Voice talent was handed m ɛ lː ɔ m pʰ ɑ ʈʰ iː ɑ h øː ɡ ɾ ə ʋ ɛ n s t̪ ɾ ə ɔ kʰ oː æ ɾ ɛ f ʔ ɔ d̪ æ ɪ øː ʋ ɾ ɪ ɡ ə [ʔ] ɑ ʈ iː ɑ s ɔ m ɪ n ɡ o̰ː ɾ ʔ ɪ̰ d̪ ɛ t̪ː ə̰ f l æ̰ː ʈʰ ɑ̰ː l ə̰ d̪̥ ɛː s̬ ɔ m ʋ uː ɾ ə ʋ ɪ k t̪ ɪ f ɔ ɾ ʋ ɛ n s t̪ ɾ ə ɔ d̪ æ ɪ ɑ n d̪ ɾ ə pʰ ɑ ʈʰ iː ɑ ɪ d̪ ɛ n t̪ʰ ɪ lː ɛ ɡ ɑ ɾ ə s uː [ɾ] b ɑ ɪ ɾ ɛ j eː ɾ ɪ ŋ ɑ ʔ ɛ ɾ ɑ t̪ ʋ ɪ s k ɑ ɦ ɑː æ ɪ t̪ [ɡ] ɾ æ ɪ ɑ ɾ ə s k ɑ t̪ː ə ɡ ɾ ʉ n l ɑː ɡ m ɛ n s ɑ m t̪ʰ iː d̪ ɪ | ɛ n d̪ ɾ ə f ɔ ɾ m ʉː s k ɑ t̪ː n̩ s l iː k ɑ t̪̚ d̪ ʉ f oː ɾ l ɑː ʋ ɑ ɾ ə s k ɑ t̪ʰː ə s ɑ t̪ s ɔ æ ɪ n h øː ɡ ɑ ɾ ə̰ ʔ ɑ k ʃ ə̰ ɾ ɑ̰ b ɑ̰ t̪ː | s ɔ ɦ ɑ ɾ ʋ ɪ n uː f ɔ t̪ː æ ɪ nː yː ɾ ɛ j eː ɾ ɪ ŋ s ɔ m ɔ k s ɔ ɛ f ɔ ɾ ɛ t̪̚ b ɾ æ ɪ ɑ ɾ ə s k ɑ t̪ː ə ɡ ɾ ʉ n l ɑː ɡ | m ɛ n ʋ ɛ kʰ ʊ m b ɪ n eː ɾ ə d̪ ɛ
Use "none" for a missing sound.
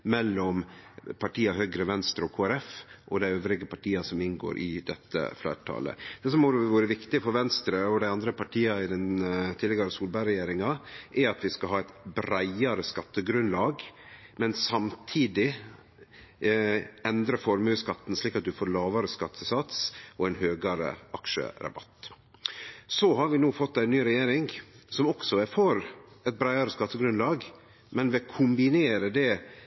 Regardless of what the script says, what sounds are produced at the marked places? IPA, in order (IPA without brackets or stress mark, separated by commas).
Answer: p, l, b